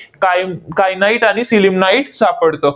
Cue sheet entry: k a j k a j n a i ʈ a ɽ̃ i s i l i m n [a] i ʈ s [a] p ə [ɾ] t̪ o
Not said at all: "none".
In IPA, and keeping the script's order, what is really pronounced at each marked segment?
a, a, ɽ

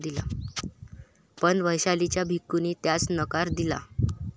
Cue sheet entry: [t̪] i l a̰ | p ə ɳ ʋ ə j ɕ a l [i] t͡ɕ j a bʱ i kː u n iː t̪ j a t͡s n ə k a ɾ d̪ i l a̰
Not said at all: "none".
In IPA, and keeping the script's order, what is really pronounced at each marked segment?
d̪, i

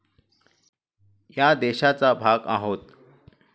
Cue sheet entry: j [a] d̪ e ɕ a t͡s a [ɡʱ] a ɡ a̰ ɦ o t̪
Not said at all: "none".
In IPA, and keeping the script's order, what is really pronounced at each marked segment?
a, bʱ

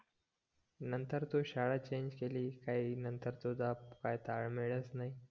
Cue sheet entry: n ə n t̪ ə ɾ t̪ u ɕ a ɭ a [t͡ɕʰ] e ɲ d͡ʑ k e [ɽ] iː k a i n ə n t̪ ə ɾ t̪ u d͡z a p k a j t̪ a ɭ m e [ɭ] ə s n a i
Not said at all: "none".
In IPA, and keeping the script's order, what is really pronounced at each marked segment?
t͡ɕ, l, ɭ

